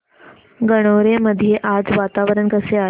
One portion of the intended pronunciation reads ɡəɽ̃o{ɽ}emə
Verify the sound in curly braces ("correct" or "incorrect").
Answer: incorrect